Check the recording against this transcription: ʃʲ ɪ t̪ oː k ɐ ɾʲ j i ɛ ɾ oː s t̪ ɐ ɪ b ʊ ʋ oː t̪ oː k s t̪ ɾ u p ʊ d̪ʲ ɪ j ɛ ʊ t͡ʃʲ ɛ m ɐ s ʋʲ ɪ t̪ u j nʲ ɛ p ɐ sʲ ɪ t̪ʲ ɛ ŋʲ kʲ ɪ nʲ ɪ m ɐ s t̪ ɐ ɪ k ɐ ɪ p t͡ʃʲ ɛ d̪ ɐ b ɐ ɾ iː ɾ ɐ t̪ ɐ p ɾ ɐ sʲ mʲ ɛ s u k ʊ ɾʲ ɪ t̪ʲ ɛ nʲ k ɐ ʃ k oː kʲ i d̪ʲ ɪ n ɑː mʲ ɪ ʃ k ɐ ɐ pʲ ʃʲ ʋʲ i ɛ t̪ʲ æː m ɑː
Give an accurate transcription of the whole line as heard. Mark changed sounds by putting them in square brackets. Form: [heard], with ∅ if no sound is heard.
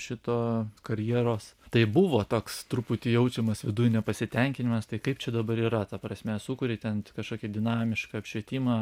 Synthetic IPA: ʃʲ ɪ t̪ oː k ɐ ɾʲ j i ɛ ɾ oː s t̪ ɐ ɪ b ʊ ʋ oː t̪ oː k s t̪ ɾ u p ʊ [t̪ʲ] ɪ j ɛ ʊ t͡ʃʲ ɛ m ɐ s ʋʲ ɪ [d̪] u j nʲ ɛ p ɐ sʲ ɪ t̪ʲ ɛ ŋʲ kʲ ɪ nʲ ɪ m ɐ s t̪ ɐ ɪ k ɐ ɪ p t͡ʃʲ ɛ d̪ ɐ b ɐ ɾ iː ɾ ɐ t̪ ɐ p ɾ ɐ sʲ mʲ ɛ s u k ʊ ɾʲ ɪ t̪ʲ ɛ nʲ k ɐ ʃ k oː kʲ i d̪ʲ ɪ n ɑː mʲ ɪ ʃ k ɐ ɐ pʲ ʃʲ ʋʲ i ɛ t̪ʲ [iː] m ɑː